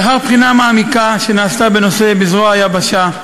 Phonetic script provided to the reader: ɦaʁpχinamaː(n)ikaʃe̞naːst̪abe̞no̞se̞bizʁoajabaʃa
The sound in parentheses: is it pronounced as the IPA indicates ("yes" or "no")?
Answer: no